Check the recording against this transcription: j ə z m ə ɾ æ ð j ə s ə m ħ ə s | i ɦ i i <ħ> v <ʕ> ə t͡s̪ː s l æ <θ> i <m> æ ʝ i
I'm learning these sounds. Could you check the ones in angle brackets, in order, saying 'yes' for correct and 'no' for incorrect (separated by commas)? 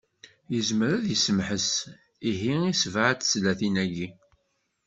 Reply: no, yes, yes, no